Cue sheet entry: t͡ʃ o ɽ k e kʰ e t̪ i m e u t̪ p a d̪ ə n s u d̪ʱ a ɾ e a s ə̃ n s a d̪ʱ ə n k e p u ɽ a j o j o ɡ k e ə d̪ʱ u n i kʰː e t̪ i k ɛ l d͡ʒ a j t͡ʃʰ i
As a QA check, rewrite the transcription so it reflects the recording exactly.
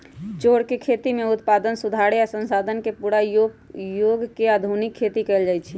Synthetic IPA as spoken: t͡ʃ o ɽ k e kʰ e t̪ i m e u t̪ p a d̪ ə n s u d̪ʱ a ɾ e a s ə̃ n s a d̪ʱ ə n k e p u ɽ a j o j o ɡ k e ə d̪ʱ u n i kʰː e t̪ i k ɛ l d͡ʒ a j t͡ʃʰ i